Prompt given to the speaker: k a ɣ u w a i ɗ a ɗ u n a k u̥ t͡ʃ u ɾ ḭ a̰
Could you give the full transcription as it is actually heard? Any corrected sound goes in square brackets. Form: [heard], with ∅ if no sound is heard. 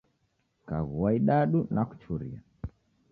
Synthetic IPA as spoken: k a ɣ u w a i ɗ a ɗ u n a k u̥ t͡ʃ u ɾ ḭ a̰